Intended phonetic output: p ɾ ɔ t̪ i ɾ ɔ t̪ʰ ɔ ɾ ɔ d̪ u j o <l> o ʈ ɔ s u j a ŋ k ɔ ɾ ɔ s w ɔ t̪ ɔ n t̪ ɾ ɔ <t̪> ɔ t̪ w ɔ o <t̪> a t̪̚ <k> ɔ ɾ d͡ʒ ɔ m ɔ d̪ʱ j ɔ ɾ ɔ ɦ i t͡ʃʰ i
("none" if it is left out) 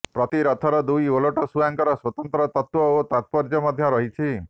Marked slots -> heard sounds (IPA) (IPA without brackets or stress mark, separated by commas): l, t̪, t̪, p